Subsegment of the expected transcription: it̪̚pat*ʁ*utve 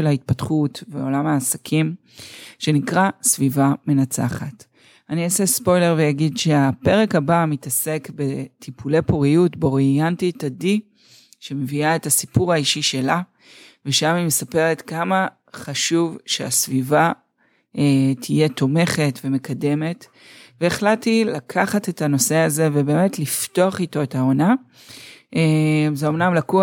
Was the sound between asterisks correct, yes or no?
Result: no